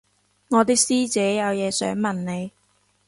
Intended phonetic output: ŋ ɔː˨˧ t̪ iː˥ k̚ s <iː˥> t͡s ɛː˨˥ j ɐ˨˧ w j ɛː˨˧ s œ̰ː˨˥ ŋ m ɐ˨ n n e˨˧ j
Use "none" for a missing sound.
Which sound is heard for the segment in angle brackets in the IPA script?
iː˥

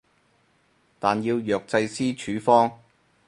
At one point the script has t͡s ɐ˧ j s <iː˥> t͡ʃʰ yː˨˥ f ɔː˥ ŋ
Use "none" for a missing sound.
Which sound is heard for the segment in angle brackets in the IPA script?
iː˥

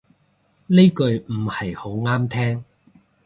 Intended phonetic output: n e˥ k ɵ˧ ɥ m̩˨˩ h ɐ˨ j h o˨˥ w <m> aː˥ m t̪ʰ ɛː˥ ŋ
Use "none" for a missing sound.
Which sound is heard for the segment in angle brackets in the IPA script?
ŋ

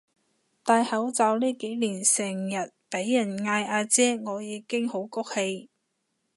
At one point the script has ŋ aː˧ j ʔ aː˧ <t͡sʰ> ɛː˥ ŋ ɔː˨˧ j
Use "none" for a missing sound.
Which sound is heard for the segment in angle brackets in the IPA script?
t͡s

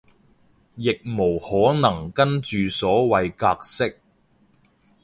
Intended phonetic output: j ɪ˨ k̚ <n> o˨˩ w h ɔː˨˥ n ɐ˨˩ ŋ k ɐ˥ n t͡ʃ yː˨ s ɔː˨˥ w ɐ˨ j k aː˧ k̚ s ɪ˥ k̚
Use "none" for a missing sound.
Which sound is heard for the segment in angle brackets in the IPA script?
m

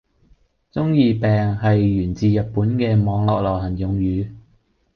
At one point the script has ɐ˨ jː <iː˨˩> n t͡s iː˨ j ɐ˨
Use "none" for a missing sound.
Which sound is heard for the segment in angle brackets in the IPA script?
yː˨˩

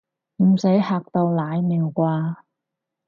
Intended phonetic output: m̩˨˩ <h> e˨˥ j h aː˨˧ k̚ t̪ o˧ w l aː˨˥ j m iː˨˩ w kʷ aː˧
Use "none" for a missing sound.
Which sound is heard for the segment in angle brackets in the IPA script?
s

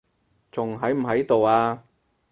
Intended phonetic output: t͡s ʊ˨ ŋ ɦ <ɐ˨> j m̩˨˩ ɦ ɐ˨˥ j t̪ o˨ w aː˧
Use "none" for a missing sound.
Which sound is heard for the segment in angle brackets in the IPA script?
ɐ˨˥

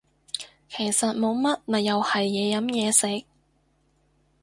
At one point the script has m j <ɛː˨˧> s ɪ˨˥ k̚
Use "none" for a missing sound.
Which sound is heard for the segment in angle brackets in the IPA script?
ɛː˨˧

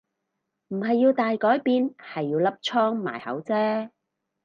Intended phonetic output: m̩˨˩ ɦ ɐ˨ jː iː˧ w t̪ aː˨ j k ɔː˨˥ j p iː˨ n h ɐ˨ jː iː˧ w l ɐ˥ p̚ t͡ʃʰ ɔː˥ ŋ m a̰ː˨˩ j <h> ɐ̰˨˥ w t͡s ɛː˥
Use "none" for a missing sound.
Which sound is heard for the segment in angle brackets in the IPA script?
h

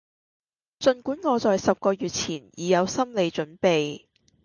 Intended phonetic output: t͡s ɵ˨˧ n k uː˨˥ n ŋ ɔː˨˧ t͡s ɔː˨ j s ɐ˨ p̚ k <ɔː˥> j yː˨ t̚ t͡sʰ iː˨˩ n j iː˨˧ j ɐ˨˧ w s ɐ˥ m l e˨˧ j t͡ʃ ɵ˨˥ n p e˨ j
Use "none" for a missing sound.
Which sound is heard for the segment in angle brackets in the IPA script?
ɔː˧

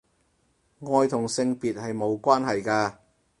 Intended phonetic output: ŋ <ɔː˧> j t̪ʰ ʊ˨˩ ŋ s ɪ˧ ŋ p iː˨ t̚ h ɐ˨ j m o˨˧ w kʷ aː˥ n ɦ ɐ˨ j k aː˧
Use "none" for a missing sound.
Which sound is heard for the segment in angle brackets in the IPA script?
ɔː˧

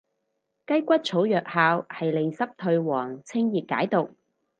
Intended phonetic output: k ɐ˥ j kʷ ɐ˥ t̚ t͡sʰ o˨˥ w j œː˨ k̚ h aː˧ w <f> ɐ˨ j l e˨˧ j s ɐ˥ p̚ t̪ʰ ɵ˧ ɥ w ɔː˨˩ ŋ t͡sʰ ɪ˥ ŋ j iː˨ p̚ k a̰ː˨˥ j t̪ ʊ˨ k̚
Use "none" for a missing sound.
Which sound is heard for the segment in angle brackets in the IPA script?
h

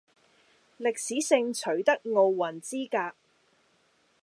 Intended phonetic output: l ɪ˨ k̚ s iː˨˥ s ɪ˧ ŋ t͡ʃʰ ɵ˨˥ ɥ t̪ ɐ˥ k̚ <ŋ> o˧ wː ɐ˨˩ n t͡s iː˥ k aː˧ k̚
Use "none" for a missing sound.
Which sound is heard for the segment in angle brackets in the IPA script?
ŋ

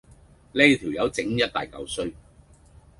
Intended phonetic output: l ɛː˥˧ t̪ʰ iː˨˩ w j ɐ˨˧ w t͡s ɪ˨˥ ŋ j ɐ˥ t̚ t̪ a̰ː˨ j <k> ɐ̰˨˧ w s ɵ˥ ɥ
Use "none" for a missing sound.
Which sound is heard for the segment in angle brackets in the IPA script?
k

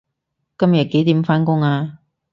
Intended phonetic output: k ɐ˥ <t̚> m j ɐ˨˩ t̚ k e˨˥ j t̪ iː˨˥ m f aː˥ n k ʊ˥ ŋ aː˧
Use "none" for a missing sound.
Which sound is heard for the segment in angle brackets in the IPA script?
none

